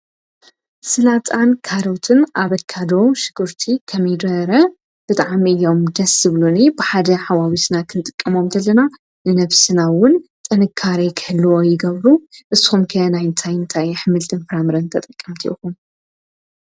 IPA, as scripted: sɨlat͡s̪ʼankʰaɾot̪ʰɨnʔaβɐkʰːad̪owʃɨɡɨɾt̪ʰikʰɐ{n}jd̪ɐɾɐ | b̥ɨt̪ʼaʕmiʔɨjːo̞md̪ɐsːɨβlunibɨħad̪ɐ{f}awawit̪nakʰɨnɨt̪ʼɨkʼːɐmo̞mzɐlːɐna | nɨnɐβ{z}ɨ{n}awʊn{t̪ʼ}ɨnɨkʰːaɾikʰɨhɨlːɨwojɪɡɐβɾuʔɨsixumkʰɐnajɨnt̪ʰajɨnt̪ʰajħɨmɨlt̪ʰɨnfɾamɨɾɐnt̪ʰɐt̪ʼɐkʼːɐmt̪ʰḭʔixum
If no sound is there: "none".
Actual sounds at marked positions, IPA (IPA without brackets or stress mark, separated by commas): m, ħ, s, n, t̪ʼ